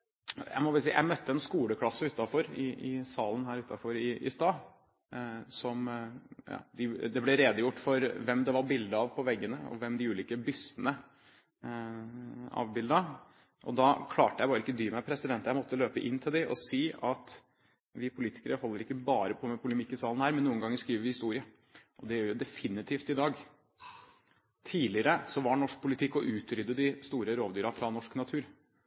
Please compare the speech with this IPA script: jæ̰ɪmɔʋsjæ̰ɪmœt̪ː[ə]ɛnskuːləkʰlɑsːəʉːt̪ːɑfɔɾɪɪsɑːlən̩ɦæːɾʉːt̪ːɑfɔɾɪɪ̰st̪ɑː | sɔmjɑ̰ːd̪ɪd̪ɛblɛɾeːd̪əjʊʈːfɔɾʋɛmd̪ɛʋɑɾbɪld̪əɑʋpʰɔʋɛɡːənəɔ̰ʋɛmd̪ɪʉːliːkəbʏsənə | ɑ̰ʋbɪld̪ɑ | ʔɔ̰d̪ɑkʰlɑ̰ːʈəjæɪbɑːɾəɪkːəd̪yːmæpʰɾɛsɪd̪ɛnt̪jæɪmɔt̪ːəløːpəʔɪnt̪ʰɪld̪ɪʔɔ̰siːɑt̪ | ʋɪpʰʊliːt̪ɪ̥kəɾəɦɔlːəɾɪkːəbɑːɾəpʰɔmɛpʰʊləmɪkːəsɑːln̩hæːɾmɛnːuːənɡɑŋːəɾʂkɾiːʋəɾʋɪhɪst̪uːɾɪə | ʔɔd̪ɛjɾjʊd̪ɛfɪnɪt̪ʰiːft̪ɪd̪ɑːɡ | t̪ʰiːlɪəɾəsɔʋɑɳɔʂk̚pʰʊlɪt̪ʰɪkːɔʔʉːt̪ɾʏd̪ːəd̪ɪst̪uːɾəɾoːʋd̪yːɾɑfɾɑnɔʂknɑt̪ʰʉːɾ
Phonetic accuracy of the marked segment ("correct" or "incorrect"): correct